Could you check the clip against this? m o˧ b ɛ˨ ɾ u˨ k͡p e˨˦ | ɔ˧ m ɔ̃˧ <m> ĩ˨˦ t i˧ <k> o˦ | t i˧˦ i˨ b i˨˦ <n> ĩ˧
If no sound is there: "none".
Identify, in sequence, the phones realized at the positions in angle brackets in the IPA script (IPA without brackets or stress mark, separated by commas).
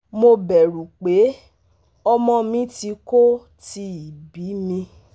m, k, m